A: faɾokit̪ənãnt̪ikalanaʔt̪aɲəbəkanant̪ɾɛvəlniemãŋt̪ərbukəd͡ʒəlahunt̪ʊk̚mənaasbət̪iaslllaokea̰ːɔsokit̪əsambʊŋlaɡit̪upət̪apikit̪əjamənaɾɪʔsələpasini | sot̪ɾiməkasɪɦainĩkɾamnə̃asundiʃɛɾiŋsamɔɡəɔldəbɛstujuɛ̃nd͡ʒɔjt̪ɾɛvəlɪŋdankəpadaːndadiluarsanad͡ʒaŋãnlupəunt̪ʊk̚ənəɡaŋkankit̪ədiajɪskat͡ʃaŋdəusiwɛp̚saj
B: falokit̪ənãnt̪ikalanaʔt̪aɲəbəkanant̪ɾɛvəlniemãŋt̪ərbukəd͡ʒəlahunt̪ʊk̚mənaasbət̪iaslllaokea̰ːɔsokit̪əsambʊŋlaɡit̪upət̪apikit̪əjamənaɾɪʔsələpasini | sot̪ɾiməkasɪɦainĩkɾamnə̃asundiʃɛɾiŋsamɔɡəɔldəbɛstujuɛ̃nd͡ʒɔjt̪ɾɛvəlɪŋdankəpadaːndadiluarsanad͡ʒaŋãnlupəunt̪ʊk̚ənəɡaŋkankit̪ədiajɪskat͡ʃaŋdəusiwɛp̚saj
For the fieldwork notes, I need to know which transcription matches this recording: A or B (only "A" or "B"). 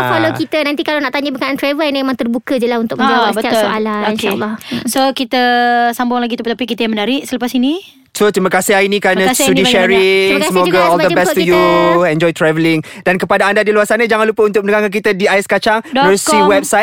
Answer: B